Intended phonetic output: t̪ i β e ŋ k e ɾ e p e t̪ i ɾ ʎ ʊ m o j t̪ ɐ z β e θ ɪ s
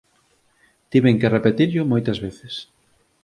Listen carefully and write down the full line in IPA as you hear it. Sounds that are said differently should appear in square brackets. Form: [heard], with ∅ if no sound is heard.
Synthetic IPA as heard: t̪ i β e ŋ k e [r] e p e t̪ i ɾ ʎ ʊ m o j t̪ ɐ z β e θ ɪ s